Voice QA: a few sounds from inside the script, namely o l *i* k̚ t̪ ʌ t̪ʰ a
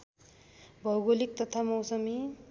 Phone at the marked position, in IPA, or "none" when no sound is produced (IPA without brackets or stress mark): i